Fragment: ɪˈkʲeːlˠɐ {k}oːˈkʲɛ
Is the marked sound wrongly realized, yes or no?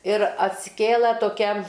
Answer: yes